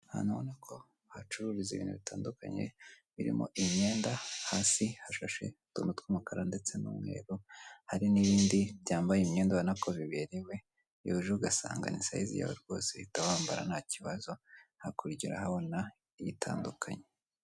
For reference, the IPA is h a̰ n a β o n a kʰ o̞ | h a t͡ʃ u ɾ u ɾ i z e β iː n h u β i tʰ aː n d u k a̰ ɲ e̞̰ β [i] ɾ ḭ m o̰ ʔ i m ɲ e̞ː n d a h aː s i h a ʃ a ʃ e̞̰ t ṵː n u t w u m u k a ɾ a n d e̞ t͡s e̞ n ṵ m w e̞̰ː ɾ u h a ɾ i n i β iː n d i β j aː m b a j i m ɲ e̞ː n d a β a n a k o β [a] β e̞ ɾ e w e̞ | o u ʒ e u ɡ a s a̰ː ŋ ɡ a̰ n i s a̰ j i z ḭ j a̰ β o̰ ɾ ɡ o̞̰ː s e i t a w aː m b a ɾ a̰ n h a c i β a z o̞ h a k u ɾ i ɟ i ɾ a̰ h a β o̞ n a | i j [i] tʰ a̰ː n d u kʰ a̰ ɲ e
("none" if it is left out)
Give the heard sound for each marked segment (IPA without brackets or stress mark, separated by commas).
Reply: i, i, i